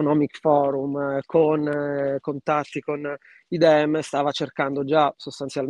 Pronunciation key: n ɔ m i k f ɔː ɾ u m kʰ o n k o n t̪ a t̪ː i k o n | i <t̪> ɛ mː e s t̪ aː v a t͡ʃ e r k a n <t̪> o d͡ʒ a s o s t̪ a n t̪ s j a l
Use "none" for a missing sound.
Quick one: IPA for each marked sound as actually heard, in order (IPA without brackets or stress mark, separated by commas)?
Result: d̪, d̪